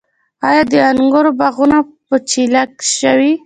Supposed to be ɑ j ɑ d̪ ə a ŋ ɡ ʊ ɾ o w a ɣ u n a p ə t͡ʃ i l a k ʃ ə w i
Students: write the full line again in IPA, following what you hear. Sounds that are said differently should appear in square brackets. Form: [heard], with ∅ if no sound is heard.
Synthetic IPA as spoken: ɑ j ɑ d̪ ə a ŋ ɡ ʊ ɾ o [b] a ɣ u n a p ə t͡ʃ i l a k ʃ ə w i